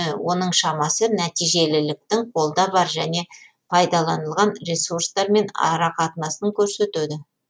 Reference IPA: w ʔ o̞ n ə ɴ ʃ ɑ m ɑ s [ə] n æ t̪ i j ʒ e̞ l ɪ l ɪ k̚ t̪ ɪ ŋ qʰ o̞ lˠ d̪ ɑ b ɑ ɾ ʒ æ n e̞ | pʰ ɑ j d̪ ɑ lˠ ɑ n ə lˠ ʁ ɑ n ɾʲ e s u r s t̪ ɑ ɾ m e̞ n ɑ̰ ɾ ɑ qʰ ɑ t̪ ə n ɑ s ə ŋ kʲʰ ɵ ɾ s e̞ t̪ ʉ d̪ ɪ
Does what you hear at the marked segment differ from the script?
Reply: no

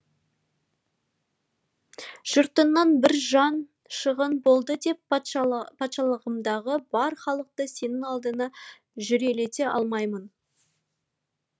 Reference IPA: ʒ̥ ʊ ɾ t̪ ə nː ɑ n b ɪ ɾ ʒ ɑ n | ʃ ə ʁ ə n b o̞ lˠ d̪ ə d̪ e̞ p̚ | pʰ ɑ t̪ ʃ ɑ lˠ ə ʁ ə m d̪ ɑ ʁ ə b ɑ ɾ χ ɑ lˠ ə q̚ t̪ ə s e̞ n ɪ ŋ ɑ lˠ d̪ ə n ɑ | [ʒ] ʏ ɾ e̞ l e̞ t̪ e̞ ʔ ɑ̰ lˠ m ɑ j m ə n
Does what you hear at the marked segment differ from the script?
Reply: no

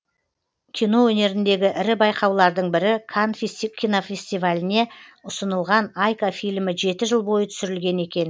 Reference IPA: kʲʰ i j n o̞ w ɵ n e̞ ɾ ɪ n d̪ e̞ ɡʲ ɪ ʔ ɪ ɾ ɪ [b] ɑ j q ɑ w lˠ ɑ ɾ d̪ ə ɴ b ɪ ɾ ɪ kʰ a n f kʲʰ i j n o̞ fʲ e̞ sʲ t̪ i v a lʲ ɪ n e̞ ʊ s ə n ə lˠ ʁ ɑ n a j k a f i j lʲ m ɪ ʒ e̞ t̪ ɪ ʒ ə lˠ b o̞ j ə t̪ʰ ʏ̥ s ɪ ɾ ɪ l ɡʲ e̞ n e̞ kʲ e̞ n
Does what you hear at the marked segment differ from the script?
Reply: no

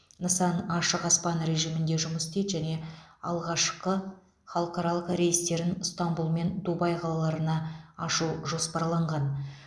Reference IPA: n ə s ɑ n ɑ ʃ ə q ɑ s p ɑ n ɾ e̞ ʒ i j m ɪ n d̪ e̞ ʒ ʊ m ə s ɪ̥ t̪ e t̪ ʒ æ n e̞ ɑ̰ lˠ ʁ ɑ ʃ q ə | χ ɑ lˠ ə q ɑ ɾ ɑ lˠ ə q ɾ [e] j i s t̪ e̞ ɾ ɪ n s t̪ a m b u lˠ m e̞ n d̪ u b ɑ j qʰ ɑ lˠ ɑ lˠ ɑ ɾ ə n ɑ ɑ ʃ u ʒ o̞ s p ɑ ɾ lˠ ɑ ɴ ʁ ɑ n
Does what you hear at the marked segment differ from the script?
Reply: no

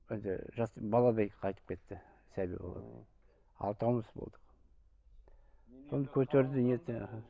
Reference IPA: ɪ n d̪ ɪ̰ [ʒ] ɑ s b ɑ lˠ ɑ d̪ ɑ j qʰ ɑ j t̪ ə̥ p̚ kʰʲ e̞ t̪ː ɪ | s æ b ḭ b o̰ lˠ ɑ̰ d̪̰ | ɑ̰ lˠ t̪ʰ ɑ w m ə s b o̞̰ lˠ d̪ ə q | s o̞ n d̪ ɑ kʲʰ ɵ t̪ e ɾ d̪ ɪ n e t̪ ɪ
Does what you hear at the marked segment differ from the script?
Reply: no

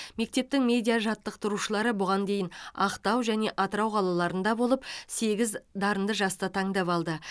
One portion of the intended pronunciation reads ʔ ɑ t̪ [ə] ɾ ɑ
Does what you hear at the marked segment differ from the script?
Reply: no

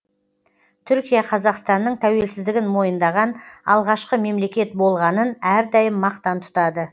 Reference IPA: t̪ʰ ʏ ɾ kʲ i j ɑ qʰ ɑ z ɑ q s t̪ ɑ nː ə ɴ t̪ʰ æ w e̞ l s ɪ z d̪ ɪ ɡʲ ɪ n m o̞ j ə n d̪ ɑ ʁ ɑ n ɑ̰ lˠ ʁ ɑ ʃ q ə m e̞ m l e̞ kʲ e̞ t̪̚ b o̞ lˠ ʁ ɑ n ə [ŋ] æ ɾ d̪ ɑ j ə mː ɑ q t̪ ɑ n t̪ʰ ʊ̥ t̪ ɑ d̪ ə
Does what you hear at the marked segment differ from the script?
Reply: yes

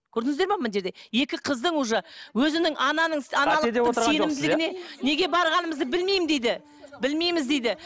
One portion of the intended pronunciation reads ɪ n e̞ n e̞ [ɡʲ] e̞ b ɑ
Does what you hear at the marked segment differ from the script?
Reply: no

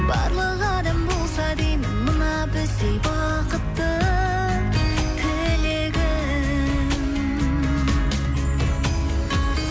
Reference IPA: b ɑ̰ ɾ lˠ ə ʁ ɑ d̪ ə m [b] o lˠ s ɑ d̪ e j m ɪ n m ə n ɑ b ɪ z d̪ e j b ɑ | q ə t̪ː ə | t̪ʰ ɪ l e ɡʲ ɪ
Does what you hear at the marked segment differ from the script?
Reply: no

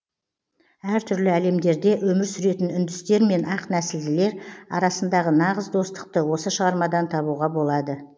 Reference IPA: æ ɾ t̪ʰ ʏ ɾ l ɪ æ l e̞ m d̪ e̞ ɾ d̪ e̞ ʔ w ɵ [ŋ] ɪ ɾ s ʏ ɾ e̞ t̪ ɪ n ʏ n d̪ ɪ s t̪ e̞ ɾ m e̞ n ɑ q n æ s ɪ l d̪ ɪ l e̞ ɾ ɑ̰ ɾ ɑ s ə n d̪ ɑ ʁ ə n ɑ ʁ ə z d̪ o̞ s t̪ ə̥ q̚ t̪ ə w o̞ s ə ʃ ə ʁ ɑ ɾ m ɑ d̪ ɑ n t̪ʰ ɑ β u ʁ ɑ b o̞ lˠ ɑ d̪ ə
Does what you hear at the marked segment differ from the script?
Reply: yes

